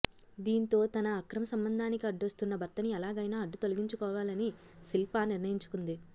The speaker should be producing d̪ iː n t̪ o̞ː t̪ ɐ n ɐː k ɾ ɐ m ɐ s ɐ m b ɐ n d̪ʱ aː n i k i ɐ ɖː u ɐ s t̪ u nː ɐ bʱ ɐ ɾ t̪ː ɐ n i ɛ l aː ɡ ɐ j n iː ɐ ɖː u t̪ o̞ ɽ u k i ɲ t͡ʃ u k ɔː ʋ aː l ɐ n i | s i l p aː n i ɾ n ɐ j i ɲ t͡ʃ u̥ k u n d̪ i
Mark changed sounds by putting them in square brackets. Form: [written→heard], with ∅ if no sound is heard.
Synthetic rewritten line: d̪ iː n t̪ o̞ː t̪ ɐ n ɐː k ɾ ɐ m ɐ s ɐ m b ɐ n d̪ʱ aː n i k i ɐ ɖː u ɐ s t̪ u nː ɐ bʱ ɐ ɾ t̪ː ɐ n i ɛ l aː ɡ ɐ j n [iː→aː] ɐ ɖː u t̪ o̞ [ɽ→l] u [k→ɡ] i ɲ t͡ʃ u k ɔː ʋ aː l ɐ n i | s i l p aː n i ɾ n ɐ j i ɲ t͡ʃ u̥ k u n d̪ i